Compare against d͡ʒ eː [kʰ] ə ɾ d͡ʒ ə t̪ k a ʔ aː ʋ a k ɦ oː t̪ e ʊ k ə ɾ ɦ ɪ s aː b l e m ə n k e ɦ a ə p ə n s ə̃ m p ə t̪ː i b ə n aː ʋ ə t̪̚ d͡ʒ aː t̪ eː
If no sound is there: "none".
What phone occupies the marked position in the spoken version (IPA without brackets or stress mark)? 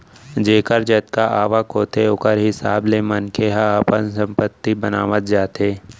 k